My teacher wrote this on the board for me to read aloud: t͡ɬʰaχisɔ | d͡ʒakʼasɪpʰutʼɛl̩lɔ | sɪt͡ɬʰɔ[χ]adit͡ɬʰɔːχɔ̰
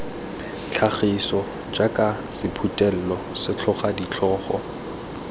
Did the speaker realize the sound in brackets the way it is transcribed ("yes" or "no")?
yes